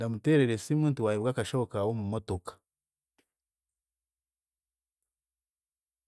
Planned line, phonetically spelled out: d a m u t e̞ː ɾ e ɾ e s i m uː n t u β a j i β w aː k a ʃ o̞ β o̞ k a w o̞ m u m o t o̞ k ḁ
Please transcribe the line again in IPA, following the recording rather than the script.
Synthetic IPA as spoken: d a m u t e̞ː ɾ e ɾ e s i m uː n t u w a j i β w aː k a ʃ o̞ β o̞ k a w o̞ m u m o t o̞ k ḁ